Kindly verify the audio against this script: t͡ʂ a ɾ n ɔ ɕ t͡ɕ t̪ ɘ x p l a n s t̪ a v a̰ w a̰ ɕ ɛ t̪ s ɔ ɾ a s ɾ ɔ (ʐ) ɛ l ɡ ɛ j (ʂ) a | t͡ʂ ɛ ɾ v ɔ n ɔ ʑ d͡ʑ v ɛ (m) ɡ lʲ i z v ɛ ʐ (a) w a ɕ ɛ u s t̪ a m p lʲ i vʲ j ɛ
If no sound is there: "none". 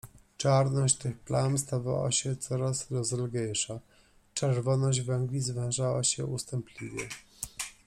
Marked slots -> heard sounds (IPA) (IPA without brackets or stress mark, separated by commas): z, ʂ, ŋ, a